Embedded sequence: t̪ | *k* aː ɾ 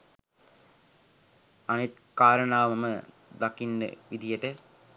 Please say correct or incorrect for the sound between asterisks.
correct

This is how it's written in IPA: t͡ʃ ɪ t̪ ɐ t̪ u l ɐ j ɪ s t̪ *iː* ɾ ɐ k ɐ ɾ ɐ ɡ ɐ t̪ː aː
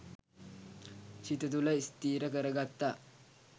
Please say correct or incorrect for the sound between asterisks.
correct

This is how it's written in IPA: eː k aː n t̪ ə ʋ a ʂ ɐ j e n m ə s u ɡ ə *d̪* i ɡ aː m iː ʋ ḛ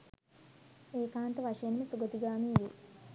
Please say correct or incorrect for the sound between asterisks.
incorrect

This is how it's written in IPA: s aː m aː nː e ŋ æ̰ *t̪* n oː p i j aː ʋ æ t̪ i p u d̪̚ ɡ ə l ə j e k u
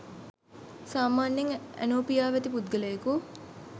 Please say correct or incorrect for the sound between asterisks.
incorrect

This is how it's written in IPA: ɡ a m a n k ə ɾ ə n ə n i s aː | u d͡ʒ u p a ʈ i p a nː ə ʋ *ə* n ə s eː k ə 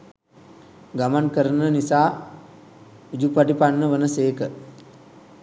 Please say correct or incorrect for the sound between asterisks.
correct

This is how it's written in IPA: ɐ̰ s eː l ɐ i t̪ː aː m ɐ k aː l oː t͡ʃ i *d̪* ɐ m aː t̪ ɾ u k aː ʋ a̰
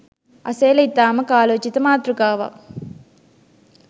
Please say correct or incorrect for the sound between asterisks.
incorrect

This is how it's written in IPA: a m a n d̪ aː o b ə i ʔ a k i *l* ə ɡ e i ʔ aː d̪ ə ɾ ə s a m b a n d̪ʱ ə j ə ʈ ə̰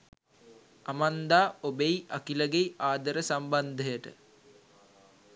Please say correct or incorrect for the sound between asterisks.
correct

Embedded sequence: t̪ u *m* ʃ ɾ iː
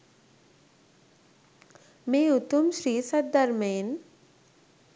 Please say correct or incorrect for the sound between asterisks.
correct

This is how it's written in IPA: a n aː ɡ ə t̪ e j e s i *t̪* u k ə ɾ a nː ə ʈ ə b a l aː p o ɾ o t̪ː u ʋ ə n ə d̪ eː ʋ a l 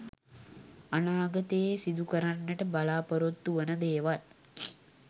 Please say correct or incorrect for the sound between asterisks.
incorrect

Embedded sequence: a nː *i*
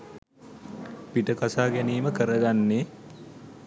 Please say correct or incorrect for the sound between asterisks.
incorrect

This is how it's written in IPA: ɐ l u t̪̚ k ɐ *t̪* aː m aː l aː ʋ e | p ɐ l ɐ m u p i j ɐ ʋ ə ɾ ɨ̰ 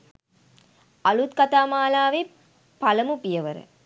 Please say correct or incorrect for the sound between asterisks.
correct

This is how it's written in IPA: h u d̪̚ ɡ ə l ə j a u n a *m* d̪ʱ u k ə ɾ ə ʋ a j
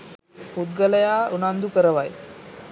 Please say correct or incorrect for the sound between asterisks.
incorrect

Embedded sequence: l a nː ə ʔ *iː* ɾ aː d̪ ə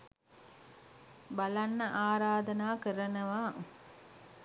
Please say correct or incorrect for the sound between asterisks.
incorrect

